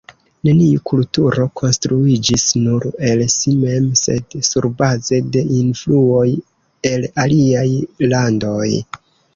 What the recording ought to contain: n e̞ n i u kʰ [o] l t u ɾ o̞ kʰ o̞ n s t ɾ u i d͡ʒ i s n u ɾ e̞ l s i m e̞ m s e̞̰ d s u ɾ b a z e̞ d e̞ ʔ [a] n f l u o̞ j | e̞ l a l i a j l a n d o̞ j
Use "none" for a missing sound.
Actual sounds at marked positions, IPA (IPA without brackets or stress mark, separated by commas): u, i